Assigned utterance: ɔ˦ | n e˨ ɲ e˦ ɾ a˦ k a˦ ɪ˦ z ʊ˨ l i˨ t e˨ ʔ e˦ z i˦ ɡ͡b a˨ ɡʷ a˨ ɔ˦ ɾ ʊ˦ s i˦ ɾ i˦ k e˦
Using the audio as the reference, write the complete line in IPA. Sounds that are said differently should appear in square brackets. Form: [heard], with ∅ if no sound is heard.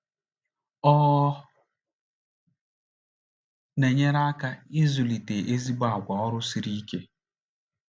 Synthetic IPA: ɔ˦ | n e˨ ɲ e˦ ɾ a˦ k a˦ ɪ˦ z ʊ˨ l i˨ t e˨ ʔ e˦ z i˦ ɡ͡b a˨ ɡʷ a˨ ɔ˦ ɾ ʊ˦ s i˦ ɾ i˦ k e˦

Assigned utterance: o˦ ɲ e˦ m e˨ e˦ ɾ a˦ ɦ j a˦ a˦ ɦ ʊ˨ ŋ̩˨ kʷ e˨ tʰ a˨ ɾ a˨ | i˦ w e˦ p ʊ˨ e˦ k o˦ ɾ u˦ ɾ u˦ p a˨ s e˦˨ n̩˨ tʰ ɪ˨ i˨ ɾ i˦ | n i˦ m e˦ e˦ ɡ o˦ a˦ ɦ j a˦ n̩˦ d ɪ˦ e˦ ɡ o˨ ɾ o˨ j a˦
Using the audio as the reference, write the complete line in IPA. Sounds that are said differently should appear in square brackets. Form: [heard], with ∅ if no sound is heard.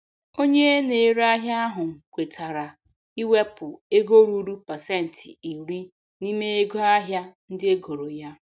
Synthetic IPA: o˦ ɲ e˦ [n] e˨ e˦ ɾ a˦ ɦ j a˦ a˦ ɦ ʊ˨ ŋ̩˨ kʷ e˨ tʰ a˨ ɾ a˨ | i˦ w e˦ p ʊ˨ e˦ [ɡ] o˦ ɾ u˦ ɾ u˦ p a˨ s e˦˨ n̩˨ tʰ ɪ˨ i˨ ɾ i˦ | n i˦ m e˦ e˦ ɡ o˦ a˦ ɦ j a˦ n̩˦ d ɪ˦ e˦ ɡ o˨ ɾ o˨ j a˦

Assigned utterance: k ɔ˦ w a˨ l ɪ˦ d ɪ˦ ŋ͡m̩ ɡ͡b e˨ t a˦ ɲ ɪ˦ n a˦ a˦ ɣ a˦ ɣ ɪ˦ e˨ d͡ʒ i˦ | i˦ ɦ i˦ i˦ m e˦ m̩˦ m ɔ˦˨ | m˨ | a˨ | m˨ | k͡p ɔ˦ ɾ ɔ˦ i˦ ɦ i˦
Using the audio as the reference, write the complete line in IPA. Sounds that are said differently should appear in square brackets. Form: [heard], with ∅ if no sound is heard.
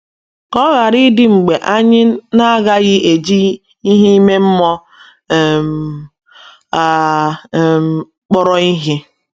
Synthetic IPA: k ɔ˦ [ɣ] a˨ [ɾ] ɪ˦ d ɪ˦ ŋ͡m̩ ɡ͡b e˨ [ʔ] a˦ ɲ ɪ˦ n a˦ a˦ ɣ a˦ ɣ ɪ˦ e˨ d͡ʒ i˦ | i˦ ɦ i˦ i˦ m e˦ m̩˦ m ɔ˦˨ | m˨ | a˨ | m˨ | k͡p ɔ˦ ɾ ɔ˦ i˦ ɦ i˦

